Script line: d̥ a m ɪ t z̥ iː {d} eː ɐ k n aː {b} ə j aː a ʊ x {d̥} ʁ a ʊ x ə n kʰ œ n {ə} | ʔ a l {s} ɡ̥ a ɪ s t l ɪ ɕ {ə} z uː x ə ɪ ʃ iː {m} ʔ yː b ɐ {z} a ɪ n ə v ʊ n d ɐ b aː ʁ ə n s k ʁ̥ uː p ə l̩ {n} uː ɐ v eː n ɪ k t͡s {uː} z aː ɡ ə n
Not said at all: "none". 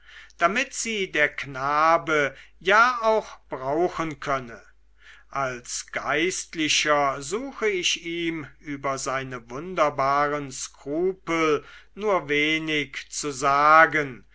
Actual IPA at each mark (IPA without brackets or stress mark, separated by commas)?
d, b, b̥, ə, s, ɐ, m, z, n, u